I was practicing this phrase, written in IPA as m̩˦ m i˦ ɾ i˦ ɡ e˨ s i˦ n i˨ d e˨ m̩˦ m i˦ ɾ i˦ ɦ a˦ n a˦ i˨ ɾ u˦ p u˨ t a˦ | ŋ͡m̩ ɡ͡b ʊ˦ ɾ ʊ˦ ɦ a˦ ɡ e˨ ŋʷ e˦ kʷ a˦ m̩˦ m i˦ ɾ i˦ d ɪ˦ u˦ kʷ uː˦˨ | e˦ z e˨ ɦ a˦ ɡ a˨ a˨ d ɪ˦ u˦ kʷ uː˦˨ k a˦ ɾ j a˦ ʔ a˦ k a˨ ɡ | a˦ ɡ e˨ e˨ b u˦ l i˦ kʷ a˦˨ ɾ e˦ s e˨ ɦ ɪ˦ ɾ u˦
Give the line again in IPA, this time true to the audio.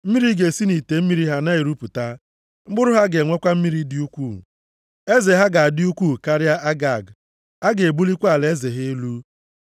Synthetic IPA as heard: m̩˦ m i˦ ɾ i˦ ɡ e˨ s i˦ n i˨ t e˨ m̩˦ m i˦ ɾ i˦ ɦ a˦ n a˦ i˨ ɾ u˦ p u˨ t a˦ | ŋ͡m̩ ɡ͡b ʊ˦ ɾ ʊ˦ ɦ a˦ ɡ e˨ ŋʷ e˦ kʷ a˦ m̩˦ m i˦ ɾ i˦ d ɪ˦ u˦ kʷ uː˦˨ | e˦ z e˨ ɦ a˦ ɡ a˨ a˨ d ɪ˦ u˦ kʷ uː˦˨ k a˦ ɾ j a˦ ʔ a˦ ɡ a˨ ɡ | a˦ ɡ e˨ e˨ b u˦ l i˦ kʷ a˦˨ l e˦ z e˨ ɦ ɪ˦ l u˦